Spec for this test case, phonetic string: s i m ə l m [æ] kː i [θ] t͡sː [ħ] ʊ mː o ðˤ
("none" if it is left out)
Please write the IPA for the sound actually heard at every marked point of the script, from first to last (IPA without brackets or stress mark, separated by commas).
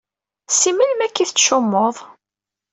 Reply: æ, θ, ʃ